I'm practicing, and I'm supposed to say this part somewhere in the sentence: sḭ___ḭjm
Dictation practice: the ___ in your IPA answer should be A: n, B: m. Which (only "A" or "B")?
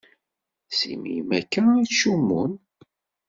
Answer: B